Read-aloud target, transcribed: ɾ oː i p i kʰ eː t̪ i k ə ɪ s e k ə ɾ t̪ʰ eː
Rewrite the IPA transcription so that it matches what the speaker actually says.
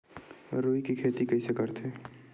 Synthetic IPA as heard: ɾ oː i k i kʰ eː t̪ i k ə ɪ s e k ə ɾ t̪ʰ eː